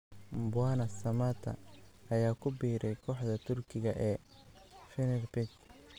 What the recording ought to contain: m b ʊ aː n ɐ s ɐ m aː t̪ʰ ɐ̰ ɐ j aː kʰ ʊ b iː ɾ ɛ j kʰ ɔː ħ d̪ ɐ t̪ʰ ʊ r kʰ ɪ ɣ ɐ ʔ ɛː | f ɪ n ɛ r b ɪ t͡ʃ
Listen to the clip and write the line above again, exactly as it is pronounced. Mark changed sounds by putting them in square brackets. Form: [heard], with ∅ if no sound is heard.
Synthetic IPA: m b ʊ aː n ɐ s ɐ m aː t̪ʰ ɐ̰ ɐ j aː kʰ ʊ b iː ɾ ɛ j kʰ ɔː ħ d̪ ɐ t̪ʰ ʊ r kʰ ɪ ɣ ɐ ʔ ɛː | f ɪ n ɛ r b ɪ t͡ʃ